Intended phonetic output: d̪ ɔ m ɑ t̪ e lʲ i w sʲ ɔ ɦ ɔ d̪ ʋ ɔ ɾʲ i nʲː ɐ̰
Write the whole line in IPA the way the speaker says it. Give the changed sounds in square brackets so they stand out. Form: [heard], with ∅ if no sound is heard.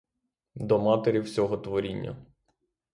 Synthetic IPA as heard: d̪ ɔ m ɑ t̪ e [ɾʲ] i w sʲ ɔ ɦ ɔ [t̪] ʋ ɔ ɾʲ i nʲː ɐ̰